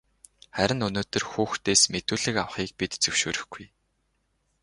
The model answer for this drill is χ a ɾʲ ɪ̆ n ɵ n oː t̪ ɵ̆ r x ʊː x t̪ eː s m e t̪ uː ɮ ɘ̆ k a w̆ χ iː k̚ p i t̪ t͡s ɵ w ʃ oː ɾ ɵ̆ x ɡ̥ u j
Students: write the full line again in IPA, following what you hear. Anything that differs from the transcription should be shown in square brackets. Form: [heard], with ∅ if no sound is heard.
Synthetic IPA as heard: χ [æ] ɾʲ ɪ̆ n ɵ n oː t̪ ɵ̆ r x [uː] x t̪ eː s m e t̪ uː ɮ ɘ̆ k a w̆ χ iː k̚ p i t̪ t͡s ɵ w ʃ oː ɾ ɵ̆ x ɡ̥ u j